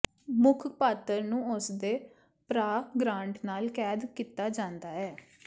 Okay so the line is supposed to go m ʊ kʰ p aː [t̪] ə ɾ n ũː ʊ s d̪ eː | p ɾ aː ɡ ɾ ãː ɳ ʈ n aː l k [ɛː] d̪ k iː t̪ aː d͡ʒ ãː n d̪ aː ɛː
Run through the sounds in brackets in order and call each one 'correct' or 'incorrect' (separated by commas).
correct, correct